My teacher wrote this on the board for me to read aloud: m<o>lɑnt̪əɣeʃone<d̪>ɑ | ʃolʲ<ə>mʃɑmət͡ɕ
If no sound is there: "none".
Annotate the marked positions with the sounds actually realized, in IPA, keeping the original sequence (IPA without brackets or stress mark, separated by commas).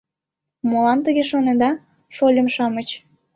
o, d̪, ə